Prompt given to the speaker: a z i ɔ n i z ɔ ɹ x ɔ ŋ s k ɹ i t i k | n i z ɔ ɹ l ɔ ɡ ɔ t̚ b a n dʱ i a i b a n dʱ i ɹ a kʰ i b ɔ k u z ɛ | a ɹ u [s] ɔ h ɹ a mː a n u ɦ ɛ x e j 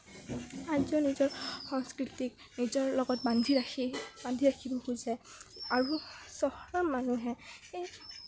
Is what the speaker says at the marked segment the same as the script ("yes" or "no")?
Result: yes